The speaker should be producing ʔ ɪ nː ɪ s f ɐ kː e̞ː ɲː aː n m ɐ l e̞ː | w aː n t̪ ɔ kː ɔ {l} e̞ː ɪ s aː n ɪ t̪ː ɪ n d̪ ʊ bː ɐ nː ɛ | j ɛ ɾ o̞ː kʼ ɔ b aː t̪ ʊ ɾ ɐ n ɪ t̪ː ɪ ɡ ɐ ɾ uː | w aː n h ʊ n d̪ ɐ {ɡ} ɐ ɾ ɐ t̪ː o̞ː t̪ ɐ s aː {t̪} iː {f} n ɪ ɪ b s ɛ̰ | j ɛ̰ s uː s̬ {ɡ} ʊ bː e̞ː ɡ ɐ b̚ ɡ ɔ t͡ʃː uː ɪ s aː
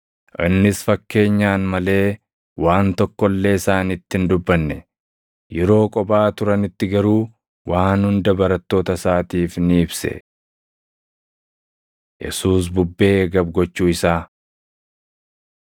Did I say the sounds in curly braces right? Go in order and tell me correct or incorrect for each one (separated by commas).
incorrect, incorrect, correct, correct, incorrect